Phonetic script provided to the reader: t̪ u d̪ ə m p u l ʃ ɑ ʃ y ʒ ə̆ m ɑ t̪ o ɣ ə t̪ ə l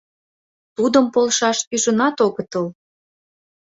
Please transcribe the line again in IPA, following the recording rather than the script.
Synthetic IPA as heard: t̪ u d̪ ə m p o l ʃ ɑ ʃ y ʒ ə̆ n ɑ t̪ o ɣ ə t̪ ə l